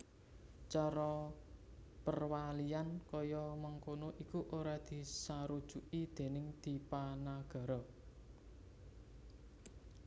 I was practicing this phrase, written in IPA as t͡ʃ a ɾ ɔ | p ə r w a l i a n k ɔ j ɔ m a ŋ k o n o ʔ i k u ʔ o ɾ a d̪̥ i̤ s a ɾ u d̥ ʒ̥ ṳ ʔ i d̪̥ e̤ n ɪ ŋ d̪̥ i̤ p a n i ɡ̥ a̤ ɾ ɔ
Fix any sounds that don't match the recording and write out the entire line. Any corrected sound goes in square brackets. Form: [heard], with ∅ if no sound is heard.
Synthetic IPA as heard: t͡ʃ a ɾ ɔ | p ə r w a l i a n k ɔ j ɔ m a ŋ k o n o ʔ i k u ʔ o ɾ a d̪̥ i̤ s a ɾ u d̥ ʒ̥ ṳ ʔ i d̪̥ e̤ n ɪ ŋ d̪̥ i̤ p a n [a] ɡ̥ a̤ ɾ ɔ